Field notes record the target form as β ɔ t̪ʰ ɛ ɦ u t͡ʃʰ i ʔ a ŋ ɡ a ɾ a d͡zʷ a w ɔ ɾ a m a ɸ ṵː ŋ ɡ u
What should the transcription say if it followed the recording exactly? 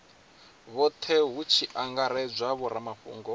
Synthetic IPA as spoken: β ɔ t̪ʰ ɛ ɦ u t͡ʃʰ i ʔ a ŋ ɡ a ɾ ɛ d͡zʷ a β ɔ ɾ a m a ɸ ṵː ŋ ɡ ɔ